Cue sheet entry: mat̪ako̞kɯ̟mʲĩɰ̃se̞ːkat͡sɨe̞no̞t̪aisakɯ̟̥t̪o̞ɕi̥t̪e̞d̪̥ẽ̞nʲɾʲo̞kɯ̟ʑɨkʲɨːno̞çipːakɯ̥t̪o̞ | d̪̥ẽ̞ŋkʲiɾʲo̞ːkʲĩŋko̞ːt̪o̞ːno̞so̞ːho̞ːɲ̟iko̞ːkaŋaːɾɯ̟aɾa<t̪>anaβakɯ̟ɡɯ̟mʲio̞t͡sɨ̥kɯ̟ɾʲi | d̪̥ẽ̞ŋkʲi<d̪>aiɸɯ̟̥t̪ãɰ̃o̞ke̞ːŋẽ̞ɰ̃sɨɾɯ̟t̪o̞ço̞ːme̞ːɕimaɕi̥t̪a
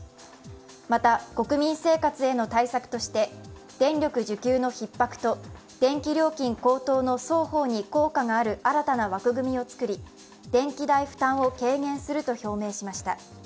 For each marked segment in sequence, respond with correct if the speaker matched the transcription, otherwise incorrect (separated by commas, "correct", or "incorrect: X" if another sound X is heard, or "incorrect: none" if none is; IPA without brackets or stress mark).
correct, correct